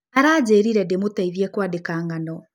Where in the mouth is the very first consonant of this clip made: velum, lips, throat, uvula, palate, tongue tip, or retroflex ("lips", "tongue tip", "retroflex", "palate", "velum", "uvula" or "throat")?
tongue tip